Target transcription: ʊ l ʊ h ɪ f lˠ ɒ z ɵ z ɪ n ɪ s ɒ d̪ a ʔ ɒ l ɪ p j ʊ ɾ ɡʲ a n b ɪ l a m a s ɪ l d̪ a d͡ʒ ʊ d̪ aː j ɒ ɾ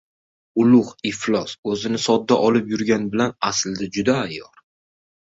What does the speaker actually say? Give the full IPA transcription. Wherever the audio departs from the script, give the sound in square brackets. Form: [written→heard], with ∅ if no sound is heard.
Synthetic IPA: ʊ l ʊ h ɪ f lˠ ɒ [z→s] ɵ z ɪ n ɪ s ɒ [d̪→d̪ː] a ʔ ɒ l ɪ p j ʊ ɾ ɡʲ a n b ɪ l a [m→n] a s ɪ l d̪ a d͡ʒ ʊ d̪ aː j ɒ ɾ